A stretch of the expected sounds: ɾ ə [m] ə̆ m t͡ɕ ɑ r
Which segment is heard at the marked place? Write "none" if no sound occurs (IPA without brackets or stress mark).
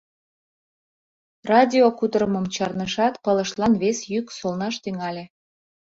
m